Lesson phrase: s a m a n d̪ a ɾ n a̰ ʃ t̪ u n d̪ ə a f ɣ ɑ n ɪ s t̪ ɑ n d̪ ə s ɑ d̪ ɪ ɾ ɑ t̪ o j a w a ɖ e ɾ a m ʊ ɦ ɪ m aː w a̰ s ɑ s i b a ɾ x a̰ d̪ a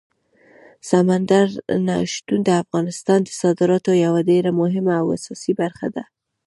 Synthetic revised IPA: s a m a n d̪ a ɾ n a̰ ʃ t̪ u n d̪ ə a f ɣ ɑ n ɪ s t̪ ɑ n d̪ ə s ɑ d̪ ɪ ɾ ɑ t̪ o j a w a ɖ e ɾ a m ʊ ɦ ɪ m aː w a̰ s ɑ s i b a ɾ x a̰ d̪ a